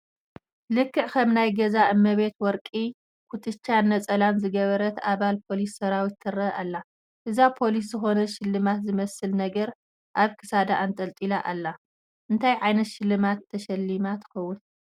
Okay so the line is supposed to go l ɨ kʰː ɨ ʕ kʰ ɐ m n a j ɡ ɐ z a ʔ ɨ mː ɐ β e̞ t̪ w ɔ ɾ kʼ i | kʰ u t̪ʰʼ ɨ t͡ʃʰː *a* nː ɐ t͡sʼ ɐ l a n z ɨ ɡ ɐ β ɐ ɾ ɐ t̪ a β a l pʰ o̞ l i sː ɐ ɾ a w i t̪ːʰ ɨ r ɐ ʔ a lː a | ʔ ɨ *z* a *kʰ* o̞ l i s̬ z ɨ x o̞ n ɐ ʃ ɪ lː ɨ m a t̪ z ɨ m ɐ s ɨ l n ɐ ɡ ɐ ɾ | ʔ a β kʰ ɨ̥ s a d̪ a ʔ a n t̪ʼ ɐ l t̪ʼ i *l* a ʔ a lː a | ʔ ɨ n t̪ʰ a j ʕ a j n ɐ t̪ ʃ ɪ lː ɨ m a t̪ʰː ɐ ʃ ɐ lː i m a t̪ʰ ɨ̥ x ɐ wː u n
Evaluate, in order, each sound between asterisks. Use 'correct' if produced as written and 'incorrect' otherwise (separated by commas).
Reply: correct, correct, incorrect, correct